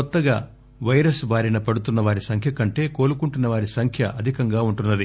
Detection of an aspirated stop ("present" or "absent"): present